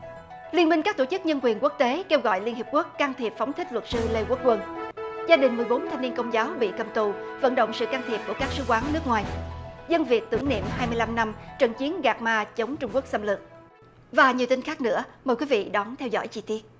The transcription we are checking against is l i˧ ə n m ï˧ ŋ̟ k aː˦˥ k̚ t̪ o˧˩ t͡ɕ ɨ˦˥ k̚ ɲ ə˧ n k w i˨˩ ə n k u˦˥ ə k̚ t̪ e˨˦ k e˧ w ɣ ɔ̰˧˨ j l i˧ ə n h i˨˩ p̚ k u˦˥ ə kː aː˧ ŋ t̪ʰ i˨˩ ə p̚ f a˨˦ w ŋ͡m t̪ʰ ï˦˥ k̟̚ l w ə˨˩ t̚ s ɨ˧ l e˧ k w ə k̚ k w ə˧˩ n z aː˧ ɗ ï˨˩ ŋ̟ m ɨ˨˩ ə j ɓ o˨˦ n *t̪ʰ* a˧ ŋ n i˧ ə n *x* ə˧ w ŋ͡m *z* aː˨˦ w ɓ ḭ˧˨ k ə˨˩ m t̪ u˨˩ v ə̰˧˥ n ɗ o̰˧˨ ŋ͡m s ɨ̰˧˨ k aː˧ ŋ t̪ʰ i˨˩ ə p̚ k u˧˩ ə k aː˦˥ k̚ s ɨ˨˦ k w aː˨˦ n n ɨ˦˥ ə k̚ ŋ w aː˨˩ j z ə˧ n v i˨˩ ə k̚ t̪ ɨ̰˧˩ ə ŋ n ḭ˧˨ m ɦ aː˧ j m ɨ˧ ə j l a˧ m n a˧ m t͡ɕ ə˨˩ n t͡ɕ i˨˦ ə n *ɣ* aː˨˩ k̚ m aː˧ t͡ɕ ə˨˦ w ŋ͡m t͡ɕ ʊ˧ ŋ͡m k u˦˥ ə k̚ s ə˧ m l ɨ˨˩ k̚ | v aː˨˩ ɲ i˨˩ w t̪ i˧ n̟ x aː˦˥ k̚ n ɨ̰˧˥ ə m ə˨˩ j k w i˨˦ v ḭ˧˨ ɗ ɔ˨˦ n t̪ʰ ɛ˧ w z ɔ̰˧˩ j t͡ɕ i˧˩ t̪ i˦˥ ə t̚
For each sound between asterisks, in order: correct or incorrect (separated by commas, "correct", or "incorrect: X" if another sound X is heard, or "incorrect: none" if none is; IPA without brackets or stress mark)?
correct, incorrect: k, correct, correct